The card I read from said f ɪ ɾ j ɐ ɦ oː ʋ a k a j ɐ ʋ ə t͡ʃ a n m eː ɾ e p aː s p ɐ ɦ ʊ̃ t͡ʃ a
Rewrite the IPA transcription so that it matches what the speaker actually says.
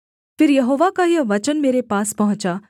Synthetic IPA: f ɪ ɾ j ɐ ɦ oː ʋ a k a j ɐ ʋ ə t͡ʃ ə n m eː ɾ e p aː s p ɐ ɦ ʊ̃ t͡ʃ a